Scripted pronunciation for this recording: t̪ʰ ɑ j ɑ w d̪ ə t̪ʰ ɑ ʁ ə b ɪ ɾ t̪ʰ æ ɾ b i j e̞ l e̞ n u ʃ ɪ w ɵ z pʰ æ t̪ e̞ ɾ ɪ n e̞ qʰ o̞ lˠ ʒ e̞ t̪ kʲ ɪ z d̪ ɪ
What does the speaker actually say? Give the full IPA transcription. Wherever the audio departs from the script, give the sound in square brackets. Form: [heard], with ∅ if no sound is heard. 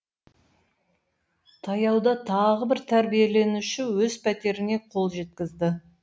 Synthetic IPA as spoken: t̪ʰ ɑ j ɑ w d̪ [ɑ] t̪ʰ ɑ ʁ ə b ɪ ɾ t̪ʰ æ ɾ b i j e̞ l e̞ n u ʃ ɪ w ɵ z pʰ æ t̪ e̞ ɾ ɪ n e̞ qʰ o̞ lˠ ʒ e̞ t̪ kʲ ɪ z d̪ ɪ

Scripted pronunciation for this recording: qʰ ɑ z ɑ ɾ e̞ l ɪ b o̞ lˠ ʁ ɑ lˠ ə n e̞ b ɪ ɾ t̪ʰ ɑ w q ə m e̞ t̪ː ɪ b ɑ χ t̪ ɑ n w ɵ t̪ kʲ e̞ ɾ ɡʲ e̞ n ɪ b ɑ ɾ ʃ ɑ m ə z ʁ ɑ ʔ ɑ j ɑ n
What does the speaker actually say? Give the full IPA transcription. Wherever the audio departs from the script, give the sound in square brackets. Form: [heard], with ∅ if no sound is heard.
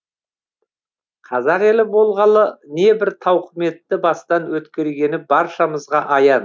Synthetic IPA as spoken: qʰ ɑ z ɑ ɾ e̞ l ɪ b o̞ lˠ ʁ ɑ lˠ ə n e̞ b ɪ ɾ t̪ʰ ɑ w q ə m e̞ t̪ː ɪ b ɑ [s] t̪ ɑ n w ɵ t̪ kʲ e̞ ɾ ɡʲ e̞ n ɪ b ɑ ɾ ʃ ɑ m ə z ʁ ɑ ʔ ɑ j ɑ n

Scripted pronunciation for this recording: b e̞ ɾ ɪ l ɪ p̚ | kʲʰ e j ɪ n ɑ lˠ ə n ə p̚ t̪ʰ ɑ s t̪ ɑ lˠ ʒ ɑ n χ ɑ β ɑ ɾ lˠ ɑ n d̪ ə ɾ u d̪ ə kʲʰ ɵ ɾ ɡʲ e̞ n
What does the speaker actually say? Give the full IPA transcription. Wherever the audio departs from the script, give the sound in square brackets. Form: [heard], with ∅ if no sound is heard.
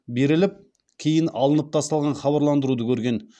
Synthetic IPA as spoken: b e̞ ɾ ɪ l ɪ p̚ | kʲʰ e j ɪ n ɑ lˠ ə n ə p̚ t̪ʰ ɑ s t̪ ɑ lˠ [ʁ] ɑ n χ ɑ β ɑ ɾ lˠ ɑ n d̪ ə ɾ u d̪ ə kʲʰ ɵ ɾ ɡʲ e̞ n

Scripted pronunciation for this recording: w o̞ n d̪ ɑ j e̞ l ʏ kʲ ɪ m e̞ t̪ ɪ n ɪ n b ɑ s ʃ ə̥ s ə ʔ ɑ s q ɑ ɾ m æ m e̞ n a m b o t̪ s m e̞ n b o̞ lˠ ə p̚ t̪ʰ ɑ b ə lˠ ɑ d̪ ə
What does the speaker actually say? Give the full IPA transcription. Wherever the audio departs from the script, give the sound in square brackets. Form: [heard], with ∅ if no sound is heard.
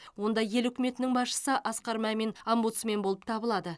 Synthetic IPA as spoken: w o̞ n d̪ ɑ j e̞ l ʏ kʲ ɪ m e̞ t̪ ɪ n ɪ [ŋ] b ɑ s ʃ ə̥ s ə ʔ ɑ s q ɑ ɾ m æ m e̞ n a m b [u] t̪ s m e̞ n b o̞ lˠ ə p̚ t̪ʰ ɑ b ə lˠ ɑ d̪ ə

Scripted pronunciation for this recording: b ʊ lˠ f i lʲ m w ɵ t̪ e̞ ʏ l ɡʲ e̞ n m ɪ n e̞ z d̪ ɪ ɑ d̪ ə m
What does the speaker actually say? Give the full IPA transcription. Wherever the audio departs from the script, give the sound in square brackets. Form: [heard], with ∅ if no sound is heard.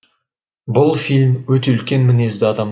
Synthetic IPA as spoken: b ʊ lˠ f i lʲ m w ɵ t̪ e̞ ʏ l [kʲ] e̞ n m ɪ n e̞ z d̪ ɪ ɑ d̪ [ɑ] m

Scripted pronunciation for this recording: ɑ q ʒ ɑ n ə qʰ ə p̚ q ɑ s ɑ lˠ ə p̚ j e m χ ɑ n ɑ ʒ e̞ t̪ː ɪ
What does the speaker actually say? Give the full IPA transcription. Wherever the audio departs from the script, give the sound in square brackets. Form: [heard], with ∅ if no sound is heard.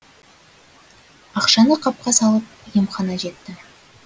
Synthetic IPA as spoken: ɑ q [ʃ] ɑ n ə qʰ [ɑ] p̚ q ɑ s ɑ lˠ ə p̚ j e m χ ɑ n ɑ ʒ e̞ t̪ː ɪ

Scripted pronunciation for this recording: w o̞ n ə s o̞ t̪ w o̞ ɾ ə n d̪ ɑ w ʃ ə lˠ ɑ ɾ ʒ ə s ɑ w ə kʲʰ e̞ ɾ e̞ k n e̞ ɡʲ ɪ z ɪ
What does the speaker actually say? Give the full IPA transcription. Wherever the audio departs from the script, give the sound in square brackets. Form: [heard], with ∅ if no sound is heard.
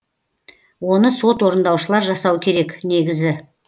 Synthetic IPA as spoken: w o̞ n ə s o̞ t̪ w o̞ ɾ ə n d̪ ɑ w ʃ ə lˠ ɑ ɾ ʒ [ɑ] s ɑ w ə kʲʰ e̞ ɾ e̞ k n e̞ ɡʲ ɪ z ɪ

